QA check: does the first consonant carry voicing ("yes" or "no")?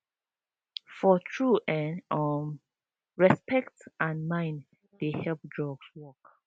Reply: no